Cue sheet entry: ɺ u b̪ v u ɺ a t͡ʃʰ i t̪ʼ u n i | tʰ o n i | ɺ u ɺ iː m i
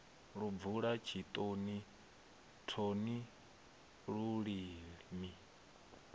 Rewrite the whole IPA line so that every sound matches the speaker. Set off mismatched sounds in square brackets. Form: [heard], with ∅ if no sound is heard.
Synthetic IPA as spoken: ɺ u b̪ v u ɺ a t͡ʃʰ i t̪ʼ [o] n i | tʰ o n i | ɺ u ɺ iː m i